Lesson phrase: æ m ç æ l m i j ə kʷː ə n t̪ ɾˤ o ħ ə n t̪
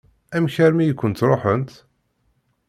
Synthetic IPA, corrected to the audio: æ m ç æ ɾ m i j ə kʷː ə n t̪ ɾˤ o ħ ə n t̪